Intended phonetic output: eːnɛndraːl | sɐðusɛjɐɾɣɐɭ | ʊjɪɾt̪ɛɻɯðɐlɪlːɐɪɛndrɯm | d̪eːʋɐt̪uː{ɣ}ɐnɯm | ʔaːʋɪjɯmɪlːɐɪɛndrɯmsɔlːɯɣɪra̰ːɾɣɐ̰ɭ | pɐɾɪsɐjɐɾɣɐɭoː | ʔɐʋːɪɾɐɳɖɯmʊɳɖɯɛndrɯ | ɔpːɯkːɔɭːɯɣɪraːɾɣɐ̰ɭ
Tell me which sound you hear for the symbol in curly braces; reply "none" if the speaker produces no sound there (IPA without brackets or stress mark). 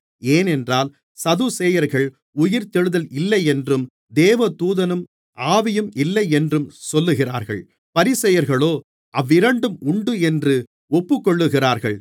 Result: ð